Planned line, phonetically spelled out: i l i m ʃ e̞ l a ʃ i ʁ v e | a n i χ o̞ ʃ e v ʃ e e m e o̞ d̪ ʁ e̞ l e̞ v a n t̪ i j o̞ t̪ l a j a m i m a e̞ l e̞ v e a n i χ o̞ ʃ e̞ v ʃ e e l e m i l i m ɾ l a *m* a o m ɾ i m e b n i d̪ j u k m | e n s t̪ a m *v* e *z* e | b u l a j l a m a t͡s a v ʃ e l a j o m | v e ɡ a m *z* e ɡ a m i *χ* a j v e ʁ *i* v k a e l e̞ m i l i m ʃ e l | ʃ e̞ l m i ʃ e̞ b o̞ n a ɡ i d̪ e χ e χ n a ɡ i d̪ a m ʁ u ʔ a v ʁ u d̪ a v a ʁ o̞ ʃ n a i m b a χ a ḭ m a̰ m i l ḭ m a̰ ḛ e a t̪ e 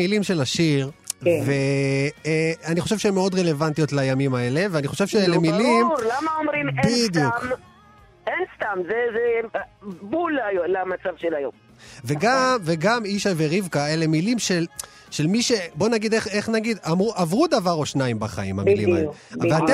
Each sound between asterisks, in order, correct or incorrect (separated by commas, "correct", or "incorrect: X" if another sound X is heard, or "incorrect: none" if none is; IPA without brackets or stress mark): correct, incorrect: z, correct, incorrect: v, incorrect: ʃ, correct